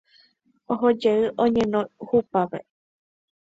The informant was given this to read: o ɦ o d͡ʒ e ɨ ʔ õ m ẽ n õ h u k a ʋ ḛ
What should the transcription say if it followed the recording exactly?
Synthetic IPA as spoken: o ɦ o d͡ʒ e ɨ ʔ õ ɲ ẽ n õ h u p a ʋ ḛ